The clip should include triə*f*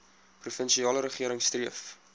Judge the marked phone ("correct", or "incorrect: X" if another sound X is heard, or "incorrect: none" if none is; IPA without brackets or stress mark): correct